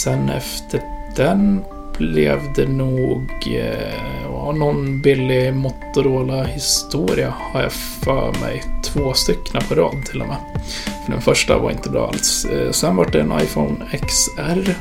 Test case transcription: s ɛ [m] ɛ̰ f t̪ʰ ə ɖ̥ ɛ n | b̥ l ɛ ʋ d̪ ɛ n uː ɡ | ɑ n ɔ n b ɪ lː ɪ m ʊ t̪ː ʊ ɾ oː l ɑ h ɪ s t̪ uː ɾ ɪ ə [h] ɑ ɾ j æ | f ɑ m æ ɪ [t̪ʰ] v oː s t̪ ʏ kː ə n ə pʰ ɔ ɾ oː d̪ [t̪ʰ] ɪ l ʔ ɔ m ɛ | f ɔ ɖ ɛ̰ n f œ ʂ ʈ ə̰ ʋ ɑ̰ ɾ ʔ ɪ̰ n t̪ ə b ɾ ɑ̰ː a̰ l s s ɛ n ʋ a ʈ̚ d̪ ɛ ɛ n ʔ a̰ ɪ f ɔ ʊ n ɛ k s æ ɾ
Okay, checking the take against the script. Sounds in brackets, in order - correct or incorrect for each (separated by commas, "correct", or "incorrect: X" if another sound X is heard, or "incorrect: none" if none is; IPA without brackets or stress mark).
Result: incorrect: n, correct, correct, correct